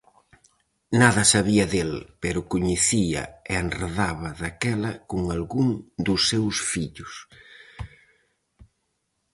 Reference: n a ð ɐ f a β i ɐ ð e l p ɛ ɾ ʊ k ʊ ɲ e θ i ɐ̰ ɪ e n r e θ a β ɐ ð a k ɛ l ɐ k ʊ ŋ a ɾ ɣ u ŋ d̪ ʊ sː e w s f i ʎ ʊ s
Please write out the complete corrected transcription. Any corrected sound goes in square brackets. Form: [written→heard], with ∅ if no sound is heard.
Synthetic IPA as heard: n a ð ɐ [f→s] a β i ɐ ð e l p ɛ ɾ ʊ k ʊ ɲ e θ i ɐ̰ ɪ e n r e [θ→ð] a β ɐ ð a k ɛ l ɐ k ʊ ŋ a [ɾ→l] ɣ u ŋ d̪ ʊ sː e w s f i ʎ ʊ s